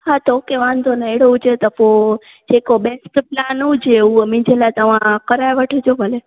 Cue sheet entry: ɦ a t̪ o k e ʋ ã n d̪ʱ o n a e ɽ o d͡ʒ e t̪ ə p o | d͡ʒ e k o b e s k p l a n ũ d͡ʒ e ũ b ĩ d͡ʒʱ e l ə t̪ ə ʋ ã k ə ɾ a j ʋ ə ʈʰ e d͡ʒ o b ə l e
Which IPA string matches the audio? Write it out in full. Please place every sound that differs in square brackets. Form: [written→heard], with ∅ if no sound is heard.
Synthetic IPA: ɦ a t̪ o k e ʋ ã n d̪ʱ o n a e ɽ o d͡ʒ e t̪ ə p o | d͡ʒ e k o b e s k p l a n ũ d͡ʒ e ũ [b→m] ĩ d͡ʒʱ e l [ə→a] t̪ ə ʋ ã k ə ɾ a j ʋ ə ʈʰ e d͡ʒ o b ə l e